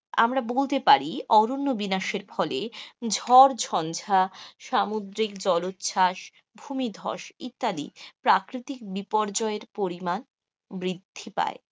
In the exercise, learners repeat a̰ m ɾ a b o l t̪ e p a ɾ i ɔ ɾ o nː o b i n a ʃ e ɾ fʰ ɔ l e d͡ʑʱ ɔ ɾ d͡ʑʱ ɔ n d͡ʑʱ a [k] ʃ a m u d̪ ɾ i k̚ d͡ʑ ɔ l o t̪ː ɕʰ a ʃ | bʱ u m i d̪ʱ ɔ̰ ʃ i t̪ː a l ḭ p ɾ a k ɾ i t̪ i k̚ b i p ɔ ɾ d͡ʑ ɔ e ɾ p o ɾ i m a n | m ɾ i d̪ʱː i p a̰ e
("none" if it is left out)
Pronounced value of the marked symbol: none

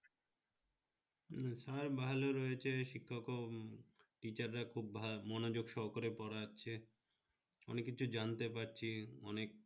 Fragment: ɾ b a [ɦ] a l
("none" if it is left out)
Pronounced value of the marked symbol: ɦ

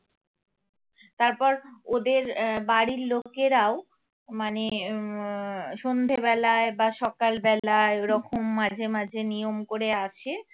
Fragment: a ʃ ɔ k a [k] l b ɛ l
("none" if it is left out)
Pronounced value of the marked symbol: none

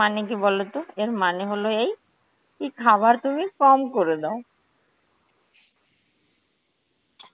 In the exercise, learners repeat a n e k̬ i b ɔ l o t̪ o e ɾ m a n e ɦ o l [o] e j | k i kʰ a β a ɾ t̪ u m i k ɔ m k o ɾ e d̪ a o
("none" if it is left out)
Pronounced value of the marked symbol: o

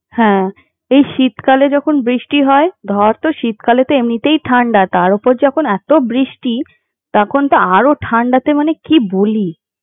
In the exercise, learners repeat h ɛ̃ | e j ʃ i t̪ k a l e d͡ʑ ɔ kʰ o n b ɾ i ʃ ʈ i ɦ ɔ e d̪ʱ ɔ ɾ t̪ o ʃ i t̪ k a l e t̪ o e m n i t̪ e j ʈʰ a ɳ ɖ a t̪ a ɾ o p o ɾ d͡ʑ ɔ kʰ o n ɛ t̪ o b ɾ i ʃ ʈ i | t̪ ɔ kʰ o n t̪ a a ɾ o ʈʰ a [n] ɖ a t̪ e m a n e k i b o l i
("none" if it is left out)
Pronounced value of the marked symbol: ɳ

